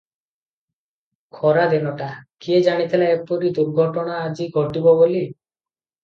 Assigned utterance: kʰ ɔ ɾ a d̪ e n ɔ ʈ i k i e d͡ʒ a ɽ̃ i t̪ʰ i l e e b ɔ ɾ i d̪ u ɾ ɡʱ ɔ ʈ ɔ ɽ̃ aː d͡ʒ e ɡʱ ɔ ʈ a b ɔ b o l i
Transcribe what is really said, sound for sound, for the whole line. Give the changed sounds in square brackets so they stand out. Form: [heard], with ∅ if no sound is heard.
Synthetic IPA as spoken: kʰ ɔ ɾ a d̪ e n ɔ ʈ [a] k i e d͡ʒ a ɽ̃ i t̪ʰ i l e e [p] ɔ ɾ i d̪ u ɾ ɡʱ ɔ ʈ ɔ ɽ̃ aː d͡ʒ [i] ɡʱ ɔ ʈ [i] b ɔ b o l i

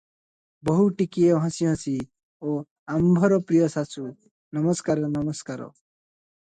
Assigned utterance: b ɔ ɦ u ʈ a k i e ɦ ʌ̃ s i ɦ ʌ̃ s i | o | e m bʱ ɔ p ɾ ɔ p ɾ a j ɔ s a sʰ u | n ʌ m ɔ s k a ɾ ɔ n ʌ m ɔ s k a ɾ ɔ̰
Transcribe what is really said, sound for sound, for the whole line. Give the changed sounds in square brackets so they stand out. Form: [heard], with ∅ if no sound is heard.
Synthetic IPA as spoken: b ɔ ɦ u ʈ [i] k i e ɦ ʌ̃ s i ɦ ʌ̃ s i | o | [a] m bʱ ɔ [∅] ɾ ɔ p ɾ [i] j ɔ s a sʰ u | n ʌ m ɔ s k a ɾ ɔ n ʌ m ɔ s k a ɾ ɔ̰

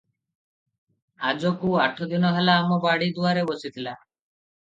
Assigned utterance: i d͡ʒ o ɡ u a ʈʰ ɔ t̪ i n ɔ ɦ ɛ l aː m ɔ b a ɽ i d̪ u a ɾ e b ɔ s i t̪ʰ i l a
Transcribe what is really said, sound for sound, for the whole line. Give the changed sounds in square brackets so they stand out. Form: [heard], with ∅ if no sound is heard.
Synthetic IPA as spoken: [a] d͡ʒ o [k] u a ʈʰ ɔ [d̪] i n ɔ ɦ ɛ l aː m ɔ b a ɽ i d̪ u a ɾ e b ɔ s i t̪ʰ i l a

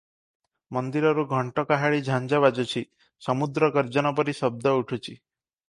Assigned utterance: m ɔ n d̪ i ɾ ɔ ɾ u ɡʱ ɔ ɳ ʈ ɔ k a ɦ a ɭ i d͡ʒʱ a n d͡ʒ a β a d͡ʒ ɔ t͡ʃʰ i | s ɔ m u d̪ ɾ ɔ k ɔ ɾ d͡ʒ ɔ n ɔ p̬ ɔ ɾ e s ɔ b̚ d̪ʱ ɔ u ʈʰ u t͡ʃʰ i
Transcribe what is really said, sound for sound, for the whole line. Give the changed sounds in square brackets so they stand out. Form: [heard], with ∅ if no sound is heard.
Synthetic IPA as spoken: m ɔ n d̪ i ɾ ɔ ɾ u ɡʱ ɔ ɳ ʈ ɔ k a ɦ a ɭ i d͡ʒʱ a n d͡ʒ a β a d͡ʒ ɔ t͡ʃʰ i | s ɔ m u d̪ ɾ ɔ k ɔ ɾ d͡ʒ ɔ n ɔ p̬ ɔ ɾ [i] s ɔ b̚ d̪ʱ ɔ u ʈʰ u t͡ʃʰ i

